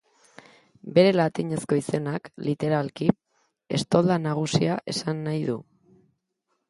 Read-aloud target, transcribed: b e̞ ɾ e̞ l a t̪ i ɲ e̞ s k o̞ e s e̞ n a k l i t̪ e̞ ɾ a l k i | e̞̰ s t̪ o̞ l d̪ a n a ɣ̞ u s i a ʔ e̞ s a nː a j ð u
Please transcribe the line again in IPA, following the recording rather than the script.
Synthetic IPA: b e̞ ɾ e̞ l a t̪ i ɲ e̞ s k o̞ i s e̞ n a k l i t̪ e̞ ɾ a l k i | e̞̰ s t̪ o̞ l d̪ a n a ɣ̞ u s i a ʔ e̞ s a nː a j ð u